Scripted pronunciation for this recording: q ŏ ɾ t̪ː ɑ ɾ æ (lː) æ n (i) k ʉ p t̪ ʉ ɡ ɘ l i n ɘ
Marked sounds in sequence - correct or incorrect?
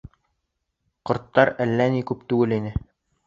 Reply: correct, correct

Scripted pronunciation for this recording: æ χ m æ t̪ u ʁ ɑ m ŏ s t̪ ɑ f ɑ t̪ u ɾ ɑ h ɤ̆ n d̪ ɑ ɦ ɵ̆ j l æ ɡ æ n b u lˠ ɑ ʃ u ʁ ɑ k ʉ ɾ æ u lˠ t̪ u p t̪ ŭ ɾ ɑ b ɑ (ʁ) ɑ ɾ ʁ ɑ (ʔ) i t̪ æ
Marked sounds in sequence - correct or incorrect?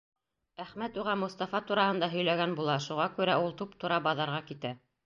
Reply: incorrect: ð, incorrect: k

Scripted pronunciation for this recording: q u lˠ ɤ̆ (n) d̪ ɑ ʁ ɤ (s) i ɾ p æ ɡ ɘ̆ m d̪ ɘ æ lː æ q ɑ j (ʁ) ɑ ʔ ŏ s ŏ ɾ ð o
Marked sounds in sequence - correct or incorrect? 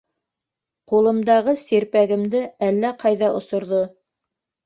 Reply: incorrect: m, correct, incorrect: ð

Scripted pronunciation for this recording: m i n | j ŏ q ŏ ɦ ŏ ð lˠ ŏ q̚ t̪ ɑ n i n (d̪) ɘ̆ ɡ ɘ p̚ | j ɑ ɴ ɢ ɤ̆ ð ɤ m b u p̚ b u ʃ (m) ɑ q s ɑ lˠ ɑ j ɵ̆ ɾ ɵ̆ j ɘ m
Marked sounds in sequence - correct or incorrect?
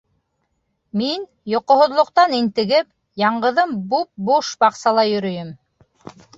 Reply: incorrect: t̪, incorrect: b

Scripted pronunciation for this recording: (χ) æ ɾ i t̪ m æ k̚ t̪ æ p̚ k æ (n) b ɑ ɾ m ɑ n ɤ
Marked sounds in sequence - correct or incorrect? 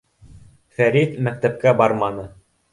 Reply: incorrect: f, incorrect: none

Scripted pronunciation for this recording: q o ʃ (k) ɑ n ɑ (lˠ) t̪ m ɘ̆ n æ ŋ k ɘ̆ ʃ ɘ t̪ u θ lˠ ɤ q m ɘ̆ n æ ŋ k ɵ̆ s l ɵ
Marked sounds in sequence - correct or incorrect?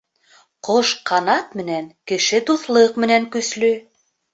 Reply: incorrect: q, incorrect: none

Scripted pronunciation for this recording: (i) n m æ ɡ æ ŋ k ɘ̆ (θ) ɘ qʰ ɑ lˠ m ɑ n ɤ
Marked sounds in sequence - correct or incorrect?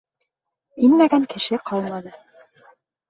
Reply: correct, incorrect: ʃ

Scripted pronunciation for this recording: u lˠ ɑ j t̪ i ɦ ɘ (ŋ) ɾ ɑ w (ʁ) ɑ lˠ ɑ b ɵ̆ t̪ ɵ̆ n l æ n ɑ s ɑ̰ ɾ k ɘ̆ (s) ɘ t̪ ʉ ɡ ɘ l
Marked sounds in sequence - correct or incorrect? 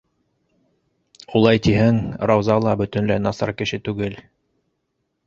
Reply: correct, incorrect: z, incorrect: ʃ

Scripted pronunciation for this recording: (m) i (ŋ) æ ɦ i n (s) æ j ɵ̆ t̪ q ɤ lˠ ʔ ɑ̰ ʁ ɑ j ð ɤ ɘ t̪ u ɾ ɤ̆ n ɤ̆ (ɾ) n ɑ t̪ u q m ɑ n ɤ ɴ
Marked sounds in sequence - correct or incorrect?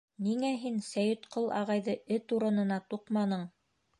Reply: incorrect: n, correct, correct, incorrect: none

